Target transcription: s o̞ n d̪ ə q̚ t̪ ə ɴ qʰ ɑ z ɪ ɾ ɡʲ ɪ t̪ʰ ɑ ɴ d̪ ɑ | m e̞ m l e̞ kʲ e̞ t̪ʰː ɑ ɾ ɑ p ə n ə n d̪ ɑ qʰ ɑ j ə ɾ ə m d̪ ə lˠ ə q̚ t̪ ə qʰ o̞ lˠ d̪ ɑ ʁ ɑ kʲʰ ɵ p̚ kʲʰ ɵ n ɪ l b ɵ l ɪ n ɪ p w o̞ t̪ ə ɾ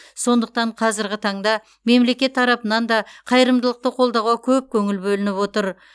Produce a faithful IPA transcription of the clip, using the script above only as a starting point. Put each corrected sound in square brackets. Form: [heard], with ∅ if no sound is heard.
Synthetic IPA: s o̞ n d̪ ə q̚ t̪ [ɑ] ɴ qʰ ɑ z ɪ ɾ ɡʲ ɪ t̪ʰ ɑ ɴ d̪ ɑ | m e̞ m l e̞ kʲ e̞ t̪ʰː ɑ ɾ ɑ p ə n [ɑ] n d̪ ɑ qʰ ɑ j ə ɾ ə m d̪ ə lˠ ə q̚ t̪ ə qʰ o̞ lˠ d̪ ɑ ʁ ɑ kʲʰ ɵ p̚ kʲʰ ɵ [ŋ] ɪ l b ɵ l ɪ n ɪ p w o̞ t̪ ə ɾ